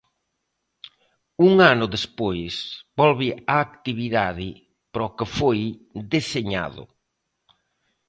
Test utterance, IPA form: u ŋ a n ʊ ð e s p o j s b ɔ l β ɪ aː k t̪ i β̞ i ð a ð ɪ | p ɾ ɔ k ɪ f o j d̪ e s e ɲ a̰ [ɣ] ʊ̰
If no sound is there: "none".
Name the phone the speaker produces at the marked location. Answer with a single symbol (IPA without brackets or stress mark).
ð